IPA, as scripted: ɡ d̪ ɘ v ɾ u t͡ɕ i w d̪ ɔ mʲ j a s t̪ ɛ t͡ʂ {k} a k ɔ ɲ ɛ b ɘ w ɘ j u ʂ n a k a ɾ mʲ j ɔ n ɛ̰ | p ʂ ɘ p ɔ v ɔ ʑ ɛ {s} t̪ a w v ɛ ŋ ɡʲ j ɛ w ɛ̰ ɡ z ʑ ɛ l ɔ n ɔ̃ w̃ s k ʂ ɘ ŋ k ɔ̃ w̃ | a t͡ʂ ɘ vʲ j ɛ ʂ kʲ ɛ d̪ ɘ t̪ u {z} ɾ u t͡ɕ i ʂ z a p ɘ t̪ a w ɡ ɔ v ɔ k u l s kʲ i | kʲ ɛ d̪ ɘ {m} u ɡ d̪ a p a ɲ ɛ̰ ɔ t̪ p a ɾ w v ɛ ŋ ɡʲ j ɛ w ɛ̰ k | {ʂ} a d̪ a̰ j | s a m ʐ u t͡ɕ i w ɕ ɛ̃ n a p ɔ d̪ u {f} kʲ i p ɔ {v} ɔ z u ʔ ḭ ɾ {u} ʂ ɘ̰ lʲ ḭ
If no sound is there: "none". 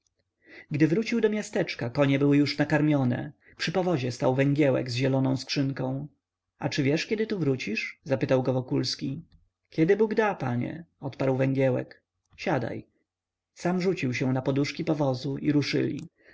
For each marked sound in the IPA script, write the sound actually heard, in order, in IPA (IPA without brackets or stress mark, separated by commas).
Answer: k, s, v, b, ɕ, ʂ, v, u